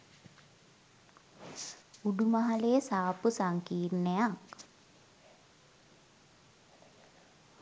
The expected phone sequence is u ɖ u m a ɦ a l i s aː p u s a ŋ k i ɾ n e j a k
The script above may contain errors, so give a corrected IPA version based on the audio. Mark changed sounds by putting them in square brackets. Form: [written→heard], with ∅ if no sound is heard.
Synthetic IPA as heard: u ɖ u m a ɦ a l [i→e] s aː p u s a ŋ k [i→iː] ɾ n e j a k